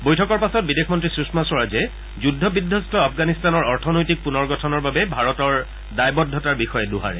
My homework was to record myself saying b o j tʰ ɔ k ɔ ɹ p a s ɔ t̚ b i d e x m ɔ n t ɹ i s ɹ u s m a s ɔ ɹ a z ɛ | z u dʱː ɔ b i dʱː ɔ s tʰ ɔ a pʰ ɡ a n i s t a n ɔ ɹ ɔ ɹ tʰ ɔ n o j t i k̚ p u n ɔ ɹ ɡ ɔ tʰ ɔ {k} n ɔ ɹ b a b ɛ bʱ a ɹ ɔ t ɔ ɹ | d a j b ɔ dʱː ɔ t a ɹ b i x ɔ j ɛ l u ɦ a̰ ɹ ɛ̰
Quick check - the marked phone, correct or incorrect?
incorrect